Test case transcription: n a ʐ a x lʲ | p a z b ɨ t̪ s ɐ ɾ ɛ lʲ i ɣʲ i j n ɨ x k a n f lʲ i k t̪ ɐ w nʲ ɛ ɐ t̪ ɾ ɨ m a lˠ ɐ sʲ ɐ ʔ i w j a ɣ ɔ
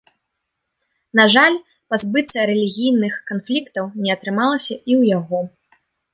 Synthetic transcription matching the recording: n a ʐ a lʲ | p a z b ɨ t̪ s ɐ ɾ ɛ lʲ i ɣʲ i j n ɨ x k a n f lʲ i k t̪ ɐ w nʲ ɛ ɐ t̪ ɾ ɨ m a lˠ ɐ sʲ ɐ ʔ i w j a ɣ ɔ